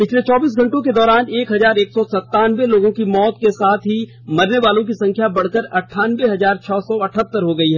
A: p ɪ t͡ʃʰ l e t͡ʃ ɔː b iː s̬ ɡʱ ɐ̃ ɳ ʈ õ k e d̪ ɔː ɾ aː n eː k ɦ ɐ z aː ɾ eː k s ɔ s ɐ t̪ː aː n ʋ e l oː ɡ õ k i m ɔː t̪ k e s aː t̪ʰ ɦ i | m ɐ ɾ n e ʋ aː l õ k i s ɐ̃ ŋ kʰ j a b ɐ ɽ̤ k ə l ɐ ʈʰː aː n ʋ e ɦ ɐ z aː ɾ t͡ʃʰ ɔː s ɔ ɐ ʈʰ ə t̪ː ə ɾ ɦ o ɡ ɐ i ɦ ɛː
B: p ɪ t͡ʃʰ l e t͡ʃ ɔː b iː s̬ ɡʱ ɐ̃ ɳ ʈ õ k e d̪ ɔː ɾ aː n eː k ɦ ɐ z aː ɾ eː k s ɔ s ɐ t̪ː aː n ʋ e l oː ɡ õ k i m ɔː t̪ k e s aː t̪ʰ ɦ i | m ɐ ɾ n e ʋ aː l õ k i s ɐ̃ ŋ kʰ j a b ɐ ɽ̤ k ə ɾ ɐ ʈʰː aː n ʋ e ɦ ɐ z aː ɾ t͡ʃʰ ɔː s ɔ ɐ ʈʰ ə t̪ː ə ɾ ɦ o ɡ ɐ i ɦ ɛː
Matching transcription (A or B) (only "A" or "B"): B